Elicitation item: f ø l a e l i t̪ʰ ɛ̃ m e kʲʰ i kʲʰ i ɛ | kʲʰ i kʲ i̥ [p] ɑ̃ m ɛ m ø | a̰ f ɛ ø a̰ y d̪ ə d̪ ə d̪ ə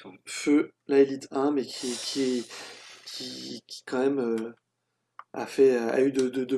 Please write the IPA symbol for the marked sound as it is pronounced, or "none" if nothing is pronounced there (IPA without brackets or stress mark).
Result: k